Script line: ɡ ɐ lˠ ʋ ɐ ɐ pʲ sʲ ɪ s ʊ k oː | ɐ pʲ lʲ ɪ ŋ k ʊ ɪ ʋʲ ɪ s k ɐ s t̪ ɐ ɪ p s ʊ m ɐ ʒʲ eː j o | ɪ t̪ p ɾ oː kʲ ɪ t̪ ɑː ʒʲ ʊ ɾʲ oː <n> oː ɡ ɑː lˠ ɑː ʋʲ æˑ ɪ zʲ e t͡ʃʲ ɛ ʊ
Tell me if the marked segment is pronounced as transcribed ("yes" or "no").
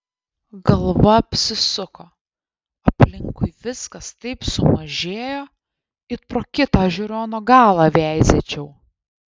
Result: yes